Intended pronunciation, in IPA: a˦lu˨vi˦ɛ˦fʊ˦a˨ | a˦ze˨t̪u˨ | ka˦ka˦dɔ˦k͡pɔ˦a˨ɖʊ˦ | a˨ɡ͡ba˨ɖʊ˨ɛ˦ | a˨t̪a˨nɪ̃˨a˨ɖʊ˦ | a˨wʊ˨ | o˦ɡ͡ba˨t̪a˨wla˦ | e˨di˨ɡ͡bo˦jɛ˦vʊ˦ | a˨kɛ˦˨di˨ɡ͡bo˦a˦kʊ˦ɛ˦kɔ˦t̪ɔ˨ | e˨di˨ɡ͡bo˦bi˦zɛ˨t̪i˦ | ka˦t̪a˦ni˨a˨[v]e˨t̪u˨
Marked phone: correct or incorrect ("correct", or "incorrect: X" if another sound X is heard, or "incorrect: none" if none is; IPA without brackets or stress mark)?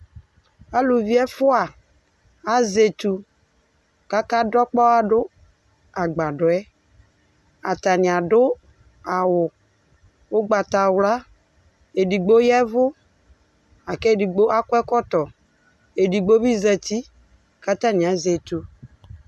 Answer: incorrect: z